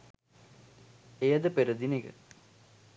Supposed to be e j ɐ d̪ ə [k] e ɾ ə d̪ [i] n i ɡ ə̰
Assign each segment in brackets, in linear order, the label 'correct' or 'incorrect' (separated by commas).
incorrect, correct